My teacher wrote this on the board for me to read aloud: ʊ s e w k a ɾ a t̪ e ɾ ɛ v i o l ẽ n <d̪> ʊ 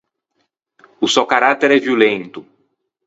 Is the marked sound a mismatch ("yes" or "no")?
yes